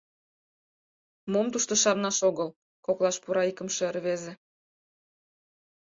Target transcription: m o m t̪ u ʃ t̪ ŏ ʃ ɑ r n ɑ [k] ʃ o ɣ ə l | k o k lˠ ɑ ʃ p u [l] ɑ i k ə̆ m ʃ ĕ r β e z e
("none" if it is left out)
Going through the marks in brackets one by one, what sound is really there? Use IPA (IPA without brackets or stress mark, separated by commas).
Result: none, ɾ